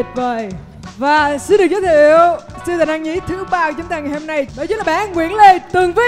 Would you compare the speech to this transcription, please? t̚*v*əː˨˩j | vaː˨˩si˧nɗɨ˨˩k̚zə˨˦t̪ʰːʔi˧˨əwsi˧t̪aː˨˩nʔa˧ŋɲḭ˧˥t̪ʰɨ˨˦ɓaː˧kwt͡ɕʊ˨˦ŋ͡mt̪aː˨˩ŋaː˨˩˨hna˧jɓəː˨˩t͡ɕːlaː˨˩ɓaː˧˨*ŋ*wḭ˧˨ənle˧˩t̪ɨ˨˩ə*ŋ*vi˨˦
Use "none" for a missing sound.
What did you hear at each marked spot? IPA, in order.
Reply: v, ŋ, ŋ

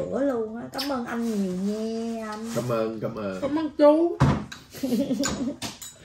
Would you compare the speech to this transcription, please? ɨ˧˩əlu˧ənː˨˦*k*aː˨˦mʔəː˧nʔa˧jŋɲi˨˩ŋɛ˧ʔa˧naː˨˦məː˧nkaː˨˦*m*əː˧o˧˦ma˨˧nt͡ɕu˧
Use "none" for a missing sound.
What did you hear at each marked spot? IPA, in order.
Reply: k, m

